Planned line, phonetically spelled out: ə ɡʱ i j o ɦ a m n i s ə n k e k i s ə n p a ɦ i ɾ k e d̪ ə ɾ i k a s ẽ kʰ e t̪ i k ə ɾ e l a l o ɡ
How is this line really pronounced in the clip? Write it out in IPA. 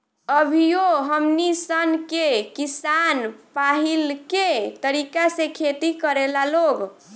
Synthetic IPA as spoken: ə bʱ i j o ɦ ə m n i s ə n k e k i s a n p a ɦ i l k e t̪ ə ɾ i k a s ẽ kʰ e t̪ i k ə ɾ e l a l o ɡ